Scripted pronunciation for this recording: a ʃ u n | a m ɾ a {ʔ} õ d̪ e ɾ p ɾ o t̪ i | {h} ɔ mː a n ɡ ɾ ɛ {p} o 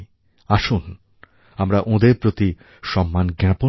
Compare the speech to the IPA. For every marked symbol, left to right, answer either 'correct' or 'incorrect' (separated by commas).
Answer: correct, incorrect, correct